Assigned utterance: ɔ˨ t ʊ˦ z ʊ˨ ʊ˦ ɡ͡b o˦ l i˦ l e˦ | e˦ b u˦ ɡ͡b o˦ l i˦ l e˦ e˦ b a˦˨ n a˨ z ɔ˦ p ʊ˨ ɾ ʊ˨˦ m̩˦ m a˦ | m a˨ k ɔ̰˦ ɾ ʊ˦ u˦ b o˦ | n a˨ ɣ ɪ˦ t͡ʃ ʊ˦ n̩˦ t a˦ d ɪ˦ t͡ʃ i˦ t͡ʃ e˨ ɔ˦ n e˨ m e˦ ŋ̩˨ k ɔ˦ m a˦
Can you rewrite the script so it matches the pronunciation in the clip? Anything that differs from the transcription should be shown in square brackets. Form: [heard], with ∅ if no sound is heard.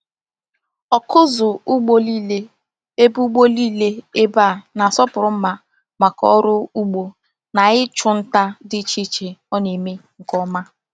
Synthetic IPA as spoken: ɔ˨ [k] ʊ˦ z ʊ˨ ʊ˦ ɡ͡b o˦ l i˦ l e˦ | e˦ b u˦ ɡ͡b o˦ l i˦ l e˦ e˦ b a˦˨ n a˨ [s] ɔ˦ p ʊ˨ ɾ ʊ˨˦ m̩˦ m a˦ | m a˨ k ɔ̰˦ ɾ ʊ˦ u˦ [ɡ͡b] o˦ | n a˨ ɣ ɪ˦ t͡ʃ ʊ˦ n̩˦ t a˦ d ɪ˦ t͡ʃ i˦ t͡ʃ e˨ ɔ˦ n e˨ m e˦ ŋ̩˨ k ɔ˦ m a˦